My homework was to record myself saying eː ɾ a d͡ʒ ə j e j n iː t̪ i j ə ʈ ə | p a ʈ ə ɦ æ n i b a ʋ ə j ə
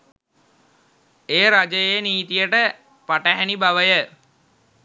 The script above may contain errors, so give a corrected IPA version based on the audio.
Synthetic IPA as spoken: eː ɾ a d͡ʒ ə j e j n iː t̪ i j ə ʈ ə | p a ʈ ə ɦ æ n i b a ʋ ə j ə